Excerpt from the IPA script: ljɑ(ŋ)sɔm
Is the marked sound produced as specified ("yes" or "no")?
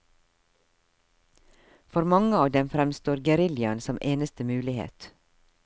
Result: no